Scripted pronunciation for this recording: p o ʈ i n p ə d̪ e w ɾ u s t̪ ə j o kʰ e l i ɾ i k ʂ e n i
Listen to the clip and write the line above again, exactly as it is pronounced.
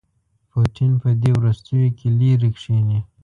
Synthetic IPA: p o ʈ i n p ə d̪ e w ɾ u s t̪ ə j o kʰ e l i ɾ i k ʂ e n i